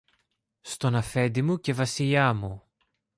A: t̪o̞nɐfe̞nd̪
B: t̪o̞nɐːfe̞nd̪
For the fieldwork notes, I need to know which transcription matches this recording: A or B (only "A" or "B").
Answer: A